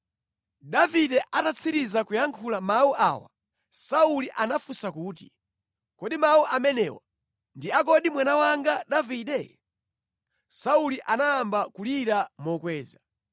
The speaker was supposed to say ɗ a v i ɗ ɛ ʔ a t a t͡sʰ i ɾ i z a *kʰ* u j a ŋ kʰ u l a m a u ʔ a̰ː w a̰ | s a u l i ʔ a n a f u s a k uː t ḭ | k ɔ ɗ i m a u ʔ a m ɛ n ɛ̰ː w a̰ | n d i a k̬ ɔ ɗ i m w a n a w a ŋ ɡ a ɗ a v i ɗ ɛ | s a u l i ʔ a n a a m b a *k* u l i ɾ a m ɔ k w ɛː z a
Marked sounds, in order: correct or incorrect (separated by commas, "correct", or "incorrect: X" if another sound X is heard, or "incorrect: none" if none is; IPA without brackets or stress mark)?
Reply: incorrect: k, correct